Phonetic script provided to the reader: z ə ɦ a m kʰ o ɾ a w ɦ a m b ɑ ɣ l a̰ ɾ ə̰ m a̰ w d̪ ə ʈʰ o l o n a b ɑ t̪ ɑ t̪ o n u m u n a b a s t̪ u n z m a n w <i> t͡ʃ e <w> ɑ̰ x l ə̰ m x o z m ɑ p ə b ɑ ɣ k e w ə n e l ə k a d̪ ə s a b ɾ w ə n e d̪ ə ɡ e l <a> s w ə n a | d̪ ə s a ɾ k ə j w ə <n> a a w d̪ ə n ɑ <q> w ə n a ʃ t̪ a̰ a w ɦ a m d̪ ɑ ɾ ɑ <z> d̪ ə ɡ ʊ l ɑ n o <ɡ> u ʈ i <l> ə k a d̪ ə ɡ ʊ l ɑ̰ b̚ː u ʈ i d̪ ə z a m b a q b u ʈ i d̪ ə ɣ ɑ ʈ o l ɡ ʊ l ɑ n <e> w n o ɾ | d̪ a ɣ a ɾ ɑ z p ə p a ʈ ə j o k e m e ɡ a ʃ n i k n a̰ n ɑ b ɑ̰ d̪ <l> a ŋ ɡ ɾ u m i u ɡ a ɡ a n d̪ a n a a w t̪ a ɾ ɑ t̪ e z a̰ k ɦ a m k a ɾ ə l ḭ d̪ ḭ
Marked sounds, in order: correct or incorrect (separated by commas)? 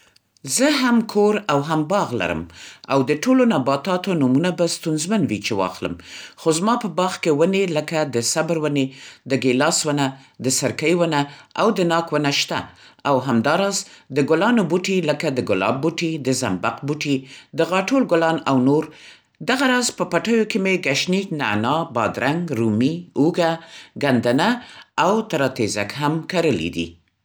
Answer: correct, correct, incorrect, correct, incorrect, correct, incorrect, correct, incorrect, incorrect